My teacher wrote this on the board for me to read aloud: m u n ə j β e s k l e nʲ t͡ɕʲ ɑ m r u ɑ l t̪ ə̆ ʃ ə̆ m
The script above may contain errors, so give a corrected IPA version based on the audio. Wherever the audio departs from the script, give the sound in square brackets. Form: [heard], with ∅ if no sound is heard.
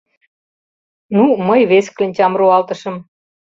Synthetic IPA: [n] u [m] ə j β e s k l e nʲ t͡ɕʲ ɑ m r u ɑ l t̪ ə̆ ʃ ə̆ m